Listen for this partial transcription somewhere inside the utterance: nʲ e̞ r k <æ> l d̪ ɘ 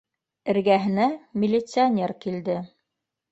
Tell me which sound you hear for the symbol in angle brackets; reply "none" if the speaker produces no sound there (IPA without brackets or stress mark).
i